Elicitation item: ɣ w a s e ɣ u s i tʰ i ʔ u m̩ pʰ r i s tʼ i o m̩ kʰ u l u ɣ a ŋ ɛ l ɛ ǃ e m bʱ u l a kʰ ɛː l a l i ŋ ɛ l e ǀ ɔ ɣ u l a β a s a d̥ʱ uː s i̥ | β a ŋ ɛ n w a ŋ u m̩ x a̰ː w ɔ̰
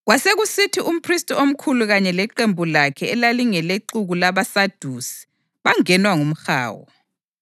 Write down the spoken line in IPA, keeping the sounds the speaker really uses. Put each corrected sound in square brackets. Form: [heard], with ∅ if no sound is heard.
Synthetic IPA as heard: ɣ w a s e ɣ u s i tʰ i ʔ u m̩ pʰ r i s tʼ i o m̩ kʰ u l u ɣ a [ɲ] ɛ l ɛ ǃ e m bʱ u l a kʰ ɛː l a l i ŋ ɛ l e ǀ [u] ɣ u l a β a s a d̥ʱ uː s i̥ | β a ŋ ɛ n w a ŋ u m̩ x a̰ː w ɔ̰